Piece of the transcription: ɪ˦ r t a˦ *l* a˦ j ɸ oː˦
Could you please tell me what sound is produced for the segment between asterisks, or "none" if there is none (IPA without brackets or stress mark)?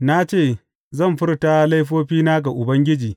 l